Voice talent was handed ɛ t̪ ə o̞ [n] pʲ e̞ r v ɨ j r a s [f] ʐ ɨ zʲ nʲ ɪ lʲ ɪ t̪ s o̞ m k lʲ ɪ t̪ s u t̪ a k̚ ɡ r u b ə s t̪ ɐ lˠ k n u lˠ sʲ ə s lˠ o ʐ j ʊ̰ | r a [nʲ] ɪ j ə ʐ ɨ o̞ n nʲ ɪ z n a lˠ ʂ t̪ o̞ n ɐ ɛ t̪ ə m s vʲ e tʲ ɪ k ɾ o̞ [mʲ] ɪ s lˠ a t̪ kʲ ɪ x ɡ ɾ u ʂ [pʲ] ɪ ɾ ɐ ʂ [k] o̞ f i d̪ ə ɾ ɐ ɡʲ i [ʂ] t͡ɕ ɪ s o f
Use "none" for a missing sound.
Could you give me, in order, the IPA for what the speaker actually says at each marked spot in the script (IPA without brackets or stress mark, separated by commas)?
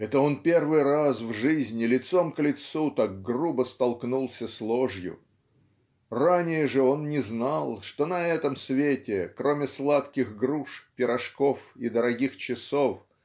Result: n, v, nʲ, mʲ, pʲ, k, x